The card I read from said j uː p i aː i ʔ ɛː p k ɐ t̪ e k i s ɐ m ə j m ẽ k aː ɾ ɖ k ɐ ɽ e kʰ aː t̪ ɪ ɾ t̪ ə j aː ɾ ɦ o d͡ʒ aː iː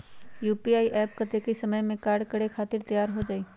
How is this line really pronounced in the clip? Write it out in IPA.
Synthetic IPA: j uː p i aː i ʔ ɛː p k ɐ t̪ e k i s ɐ m ə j m ẽ k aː ɾ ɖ k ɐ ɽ e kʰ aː t̪ ɪ ɾ t̪ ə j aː ɾ ɦ o d͡ʒ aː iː